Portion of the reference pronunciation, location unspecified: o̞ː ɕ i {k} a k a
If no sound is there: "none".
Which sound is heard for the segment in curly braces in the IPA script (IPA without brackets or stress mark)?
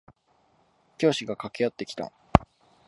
ɡ